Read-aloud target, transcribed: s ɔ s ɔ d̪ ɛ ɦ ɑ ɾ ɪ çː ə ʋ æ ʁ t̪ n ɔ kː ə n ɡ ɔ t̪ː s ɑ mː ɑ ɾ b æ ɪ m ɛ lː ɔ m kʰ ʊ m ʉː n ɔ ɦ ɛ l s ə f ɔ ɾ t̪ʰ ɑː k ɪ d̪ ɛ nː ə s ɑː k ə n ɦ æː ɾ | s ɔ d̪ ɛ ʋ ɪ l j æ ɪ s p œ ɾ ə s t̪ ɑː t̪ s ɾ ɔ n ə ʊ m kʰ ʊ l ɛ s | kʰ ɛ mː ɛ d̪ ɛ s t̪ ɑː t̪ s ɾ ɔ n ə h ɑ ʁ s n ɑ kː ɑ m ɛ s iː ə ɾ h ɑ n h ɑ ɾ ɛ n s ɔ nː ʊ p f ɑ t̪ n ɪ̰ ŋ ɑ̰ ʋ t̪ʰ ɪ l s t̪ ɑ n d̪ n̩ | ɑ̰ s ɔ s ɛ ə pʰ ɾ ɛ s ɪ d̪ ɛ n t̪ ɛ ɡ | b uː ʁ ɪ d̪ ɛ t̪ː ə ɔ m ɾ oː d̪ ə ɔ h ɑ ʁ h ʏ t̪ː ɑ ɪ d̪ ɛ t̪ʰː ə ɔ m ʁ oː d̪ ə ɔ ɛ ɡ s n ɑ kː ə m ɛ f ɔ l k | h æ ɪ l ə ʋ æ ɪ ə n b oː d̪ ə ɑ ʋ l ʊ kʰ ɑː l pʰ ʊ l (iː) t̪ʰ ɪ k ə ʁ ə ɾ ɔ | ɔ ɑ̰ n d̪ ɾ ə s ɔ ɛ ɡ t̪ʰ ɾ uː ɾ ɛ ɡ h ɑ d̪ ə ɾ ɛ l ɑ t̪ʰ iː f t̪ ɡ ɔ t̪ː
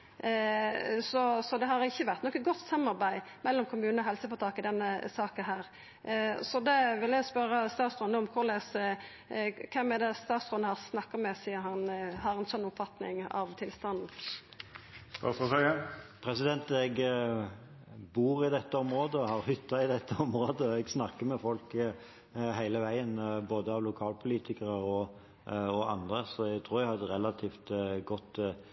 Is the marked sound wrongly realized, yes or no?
no